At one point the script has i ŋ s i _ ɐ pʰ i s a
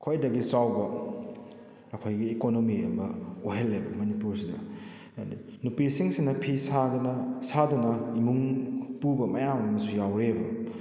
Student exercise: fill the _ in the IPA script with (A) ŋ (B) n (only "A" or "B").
B